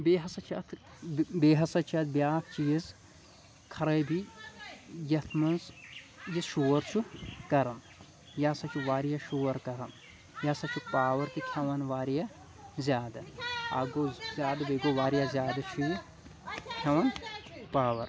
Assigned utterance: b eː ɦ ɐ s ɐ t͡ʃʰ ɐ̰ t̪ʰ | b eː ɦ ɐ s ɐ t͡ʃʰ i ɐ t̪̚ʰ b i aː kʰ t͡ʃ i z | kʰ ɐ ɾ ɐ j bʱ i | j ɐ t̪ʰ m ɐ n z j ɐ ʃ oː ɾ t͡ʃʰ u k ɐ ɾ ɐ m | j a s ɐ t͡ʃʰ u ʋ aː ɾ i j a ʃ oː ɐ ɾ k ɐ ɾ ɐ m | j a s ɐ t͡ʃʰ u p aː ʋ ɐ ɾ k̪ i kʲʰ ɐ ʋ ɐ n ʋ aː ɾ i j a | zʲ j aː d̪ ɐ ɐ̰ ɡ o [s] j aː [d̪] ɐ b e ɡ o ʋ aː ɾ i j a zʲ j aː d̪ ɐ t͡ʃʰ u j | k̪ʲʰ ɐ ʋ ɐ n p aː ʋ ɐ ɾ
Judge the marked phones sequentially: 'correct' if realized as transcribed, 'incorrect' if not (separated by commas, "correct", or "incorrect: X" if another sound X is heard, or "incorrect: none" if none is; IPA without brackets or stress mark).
incorrect: z, correct